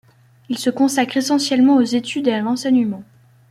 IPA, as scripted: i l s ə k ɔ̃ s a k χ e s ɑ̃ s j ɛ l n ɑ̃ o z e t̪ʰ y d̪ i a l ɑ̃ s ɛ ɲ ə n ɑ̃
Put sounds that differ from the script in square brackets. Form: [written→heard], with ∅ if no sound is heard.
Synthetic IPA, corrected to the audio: i l s ə k ɔ̃ s a k χ e s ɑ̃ s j ɛ l [n→m] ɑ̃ o z e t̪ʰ y d̪ [i→e] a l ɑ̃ s ɛ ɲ ə [n→m] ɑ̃